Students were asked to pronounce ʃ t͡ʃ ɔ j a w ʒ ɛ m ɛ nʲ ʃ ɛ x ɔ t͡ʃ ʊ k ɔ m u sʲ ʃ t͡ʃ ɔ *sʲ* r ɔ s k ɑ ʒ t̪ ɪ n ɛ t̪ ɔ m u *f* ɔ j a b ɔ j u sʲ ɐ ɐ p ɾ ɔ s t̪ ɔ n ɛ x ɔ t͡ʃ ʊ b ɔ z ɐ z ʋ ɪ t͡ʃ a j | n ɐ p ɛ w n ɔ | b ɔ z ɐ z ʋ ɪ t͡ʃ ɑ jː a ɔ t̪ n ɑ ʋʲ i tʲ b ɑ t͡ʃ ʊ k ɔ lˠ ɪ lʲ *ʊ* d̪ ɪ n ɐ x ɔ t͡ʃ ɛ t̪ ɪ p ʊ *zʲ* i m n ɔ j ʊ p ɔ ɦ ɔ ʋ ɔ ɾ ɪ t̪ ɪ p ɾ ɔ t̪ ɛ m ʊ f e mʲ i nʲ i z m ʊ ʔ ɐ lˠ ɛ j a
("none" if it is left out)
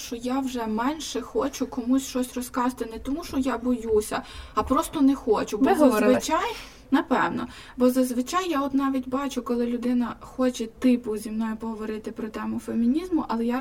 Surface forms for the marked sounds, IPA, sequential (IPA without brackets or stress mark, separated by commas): sʲ, ʃ, ʊ, zʲ